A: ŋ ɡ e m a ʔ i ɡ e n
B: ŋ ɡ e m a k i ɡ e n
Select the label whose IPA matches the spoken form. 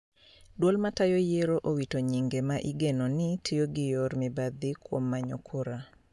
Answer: A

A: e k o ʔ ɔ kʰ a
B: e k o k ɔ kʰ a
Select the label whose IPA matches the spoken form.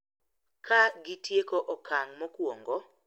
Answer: A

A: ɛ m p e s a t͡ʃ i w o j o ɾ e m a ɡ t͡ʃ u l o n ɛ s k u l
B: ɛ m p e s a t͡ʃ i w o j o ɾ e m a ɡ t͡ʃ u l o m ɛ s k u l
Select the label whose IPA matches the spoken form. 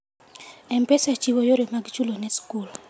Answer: A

